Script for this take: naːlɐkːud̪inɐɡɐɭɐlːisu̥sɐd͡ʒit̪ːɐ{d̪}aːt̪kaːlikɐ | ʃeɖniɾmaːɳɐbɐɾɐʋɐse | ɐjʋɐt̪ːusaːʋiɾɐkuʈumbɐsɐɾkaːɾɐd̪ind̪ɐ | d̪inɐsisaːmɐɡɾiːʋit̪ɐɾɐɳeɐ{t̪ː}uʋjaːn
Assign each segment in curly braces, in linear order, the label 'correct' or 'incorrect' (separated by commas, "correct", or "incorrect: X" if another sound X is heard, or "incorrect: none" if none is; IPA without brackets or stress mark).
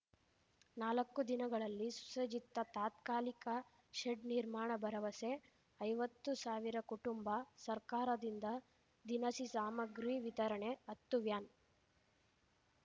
incorrect: t̪, correct